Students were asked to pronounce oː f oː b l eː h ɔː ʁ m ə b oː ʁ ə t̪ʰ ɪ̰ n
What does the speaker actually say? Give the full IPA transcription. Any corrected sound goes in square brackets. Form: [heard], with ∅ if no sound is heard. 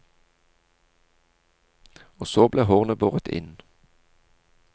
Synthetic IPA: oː [s] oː b l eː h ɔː ʁ [n] ə b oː ʁ ə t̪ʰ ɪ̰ n